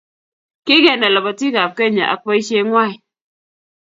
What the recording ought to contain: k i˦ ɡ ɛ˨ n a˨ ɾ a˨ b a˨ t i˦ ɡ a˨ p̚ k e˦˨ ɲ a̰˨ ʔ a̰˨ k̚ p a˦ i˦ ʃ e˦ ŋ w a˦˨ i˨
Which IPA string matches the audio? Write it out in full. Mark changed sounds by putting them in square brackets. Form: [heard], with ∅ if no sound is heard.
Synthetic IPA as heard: k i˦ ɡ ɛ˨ n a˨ [l] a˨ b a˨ t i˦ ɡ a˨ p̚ k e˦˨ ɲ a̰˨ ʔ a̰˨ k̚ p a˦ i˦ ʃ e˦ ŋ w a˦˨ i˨

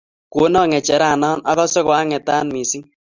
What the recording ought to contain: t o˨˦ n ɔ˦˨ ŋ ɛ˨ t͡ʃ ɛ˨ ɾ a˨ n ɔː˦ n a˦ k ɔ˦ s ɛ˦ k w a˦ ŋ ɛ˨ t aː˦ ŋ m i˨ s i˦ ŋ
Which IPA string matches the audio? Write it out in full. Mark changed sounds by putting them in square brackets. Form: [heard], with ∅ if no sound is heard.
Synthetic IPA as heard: [k] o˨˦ n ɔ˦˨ ŋ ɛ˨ t͡ʃ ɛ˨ ɾ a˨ n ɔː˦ n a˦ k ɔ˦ s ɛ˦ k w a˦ ŋ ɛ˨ t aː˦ [n] m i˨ s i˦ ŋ

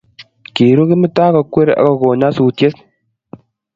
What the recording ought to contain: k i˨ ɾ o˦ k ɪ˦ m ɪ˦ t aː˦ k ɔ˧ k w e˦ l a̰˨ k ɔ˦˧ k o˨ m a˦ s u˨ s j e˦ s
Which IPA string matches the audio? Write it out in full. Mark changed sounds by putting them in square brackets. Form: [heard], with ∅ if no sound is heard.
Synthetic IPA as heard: k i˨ ɾ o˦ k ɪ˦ m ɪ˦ t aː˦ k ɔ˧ k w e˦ [ɾ] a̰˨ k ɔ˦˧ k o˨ [ɲ] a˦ s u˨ [t] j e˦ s

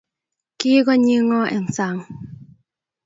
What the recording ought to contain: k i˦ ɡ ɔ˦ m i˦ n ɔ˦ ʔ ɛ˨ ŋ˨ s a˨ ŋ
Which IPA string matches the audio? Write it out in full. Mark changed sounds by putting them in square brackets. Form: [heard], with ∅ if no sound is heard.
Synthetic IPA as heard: k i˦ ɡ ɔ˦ [ɲ] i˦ [ŋ] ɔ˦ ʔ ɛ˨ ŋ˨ s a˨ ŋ

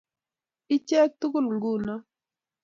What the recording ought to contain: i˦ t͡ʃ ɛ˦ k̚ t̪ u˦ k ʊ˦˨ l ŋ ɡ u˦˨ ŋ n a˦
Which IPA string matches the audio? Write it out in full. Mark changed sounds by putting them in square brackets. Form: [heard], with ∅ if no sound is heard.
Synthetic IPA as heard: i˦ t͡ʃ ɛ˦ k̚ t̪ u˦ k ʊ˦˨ l ŋ ɡ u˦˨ [∅] n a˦

